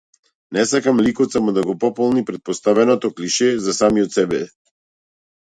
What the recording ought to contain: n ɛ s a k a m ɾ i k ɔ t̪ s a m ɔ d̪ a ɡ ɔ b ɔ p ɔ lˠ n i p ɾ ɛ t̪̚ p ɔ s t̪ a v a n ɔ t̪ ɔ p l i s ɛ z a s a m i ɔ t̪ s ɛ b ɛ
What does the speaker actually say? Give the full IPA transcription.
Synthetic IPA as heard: n ɛ s a k a m l i k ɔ t̪ s a m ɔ d̪ a ɡ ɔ p ɔ p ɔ lˠ n i p ɾ ɛ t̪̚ p ɔ s t̪ a v ɛ n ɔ t̪ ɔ k l i ʃ ɛ z a s a m i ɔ t̪ s ɛ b ɛ